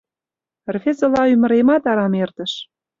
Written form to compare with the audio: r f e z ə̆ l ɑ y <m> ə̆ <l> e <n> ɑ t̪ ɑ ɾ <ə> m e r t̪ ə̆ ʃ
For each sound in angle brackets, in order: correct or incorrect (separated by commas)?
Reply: correct, incorrect, incorrect, incorrect